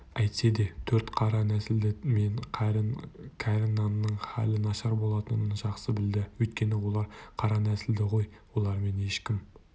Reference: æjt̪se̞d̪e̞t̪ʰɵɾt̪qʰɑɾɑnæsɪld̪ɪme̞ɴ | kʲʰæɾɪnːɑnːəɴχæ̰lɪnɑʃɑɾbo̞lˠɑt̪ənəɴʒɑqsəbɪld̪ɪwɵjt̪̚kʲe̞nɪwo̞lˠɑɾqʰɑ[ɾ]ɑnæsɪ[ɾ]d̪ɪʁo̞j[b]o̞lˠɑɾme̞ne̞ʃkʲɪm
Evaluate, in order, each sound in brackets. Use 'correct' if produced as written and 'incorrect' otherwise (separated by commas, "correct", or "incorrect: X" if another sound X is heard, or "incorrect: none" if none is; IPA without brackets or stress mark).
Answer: correct, incorrect: l, incorrect: w